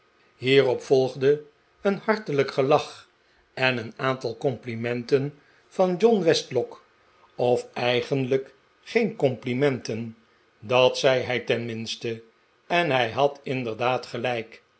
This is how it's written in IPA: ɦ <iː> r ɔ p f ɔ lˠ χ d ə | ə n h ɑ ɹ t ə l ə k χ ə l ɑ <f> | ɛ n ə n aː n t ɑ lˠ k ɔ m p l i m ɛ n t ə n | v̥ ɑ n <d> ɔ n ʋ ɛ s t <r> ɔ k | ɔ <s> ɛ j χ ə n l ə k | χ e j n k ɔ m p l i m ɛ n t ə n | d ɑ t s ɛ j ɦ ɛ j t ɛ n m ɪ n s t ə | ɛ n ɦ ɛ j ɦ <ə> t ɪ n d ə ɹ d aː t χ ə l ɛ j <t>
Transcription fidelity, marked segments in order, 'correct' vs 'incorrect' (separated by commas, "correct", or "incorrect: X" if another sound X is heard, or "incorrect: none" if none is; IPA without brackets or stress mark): correct, incorrect: χ, incorrect: d͡ʒ, incorrect: l, incorrect: f, incorrect: ɑ, incorrect: k